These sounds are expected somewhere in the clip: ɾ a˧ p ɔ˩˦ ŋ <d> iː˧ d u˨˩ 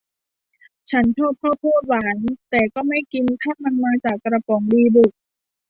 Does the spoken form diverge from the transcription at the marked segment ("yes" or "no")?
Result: no